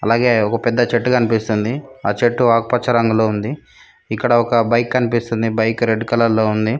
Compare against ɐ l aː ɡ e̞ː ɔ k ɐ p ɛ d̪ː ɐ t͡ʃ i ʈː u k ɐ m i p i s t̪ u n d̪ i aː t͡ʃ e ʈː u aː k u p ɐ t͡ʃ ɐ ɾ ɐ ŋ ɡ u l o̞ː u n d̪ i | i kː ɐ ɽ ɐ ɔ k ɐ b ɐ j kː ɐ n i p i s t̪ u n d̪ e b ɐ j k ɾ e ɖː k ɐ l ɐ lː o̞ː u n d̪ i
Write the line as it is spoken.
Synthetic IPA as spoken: ɐ l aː ɡ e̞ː ɔ k ɐ p ɛ d̪ː ɐ t͡ʃ e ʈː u k ɐ n i p i s t̪ u n d̪ i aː t͡ʃ e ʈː u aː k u p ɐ t͡ʃ ɐ ɾ ɐ ŋ ɡ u l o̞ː u n d̪ i | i kː ɐ ɽ ɐ ɔ k ɐ b ɐ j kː ɐ n i p i s t̪ u n d̪ i b ɐ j k ɾ e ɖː k ɐ l ɐ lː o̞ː u n d̪ i

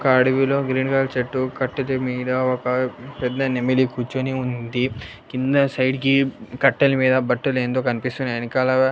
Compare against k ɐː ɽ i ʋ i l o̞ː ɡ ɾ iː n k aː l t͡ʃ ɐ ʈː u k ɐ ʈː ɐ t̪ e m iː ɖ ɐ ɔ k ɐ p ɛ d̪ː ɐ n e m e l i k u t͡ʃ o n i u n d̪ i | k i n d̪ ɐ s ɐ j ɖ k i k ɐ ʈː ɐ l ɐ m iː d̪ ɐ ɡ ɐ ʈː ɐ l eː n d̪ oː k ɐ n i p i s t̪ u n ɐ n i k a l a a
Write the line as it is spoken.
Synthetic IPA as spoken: k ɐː ɽ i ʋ i l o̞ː ɡ ɾ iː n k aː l t͡ʃ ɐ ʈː u k ɐ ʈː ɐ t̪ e m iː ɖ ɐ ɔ k ɐ p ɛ d̪ː ɐ n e m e l i k u t͡ʃ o n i u n d̪ i | k i n d̪ ɐ s ɐ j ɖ k i k ɐ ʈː ɐ l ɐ m iː d̪ ɐ b ɐ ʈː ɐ l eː n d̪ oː k ɐ n i p i s t̪ u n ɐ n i k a l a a

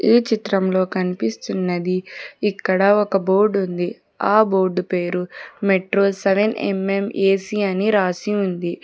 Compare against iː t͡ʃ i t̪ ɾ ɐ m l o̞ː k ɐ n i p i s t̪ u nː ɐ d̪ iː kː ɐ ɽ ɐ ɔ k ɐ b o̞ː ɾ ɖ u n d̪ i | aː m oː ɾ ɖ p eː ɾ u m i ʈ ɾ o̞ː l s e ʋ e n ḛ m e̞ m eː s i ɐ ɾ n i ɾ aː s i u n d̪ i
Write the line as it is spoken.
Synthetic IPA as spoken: iː t͡ʃ i t̪ ɾ ɐ m l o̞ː k ɐ n i p i s t̪ u nː ɐ d̪ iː kː ɐ ɽ ɐ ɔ k ɐ b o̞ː ɾ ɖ u n d̪ i | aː b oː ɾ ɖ p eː ɾ u m e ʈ ɾ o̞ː l s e ʋ e n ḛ m e̞ m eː s i ɐ n i ɾ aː s i u n d̪ i

